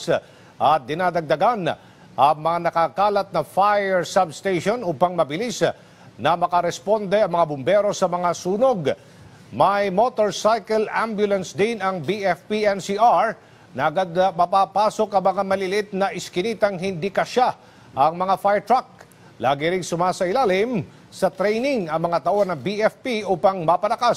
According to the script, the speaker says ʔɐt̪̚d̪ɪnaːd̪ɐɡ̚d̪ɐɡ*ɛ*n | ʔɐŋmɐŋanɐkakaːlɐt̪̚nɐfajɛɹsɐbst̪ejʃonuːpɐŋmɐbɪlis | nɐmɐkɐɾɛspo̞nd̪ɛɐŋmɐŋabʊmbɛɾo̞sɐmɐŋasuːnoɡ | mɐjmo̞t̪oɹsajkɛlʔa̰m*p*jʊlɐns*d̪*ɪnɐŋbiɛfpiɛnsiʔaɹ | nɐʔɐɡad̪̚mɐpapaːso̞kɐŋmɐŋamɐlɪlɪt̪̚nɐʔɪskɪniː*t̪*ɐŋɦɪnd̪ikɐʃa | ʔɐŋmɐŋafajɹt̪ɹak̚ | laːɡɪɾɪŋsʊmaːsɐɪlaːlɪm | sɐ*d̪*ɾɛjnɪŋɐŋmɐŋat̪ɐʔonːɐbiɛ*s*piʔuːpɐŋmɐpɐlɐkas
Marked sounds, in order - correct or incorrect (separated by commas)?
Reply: incorrect, incorrect, correct, correct, incorrect, incorrect